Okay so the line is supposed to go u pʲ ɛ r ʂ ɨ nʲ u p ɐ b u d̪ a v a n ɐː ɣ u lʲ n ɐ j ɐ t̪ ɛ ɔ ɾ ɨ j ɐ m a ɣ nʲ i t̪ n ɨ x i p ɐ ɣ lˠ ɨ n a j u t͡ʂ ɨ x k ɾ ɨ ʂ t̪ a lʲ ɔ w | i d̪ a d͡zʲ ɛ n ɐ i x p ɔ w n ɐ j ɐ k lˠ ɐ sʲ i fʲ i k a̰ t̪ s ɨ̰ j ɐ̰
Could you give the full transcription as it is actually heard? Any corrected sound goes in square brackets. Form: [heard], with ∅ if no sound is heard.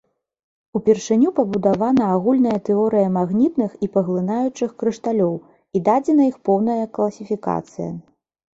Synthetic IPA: u pʲ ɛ r ʂ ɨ nʲ u p ɐ b u d̪ a v a n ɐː ɣ u lʲ n ɐ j ɐ t̪ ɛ ɔ ɾ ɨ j ɐ m a ɣ nʲ i t̪ n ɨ x i p ɐ ɣ lˠ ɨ n a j u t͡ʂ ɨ x k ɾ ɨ ʂ t̪ a lʲ ɔ w | i d̪ a d͡zʲ ɛ n ɐ i x p ɔ w n ɐ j ɐ k lˠ ɐ sʲ i fʲ i k a̰ t̪ s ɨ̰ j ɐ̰